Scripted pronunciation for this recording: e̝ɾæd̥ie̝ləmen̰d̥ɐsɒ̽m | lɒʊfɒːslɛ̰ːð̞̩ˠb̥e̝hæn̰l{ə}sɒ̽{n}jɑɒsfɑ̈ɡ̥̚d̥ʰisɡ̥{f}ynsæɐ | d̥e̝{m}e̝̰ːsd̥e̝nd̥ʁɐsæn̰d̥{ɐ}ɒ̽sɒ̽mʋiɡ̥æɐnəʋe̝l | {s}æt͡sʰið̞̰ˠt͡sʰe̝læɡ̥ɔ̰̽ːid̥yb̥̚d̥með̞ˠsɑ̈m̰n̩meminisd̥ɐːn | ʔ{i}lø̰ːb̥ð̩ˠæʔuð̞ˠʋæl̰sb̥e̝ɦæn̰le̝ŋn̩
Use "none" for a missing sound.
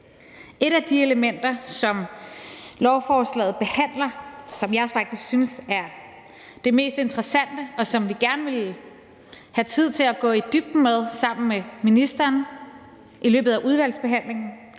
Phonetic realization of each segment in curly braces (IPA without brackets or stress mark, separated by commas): ɐ, m, s, m, ə, h, i